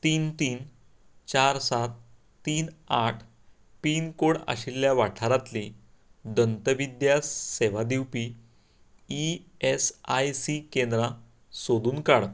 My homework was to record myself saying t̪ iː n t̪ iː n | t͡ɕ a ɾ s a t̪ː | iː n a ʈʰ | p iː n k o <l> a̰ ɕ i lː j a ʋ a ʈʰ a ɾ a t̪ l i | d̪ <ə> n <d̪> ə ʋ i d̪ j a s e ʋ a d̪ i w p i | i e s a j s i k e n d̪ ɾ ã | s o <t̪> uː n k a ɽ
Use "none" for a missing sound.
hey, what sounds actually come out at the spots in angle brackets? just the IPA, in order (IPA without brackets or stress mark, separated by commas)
ɽ, ə, t̪, d̪